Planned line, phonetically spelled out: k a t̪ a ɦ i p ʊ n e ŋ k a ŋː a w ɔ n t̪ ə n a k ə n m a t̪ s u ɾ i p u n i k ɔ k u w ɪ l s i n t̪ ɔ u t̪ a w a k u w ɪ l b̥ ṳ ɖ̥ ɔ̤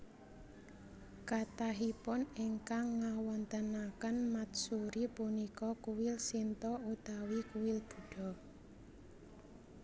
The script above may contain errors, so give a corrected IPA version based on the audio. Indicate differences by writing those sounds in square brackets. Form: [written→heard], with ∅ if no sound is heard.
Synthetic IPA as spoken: k a t̪ a ɦ i p ʊ n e ŋ k a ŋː a w ɔ n t̪ ə n a k ə n m a t̪ s u ɾ i p u n i k ɔ k u w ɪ l s i n t̪ ɔ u t̪ a w [a→i] k u w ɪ l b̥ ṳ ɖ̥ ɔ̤